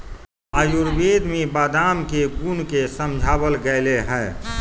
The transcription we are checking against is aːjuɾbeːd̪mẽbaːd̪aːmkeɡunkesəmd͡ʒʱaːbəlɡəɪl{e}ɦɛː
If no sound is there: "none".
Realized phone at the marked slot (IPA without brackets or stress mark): e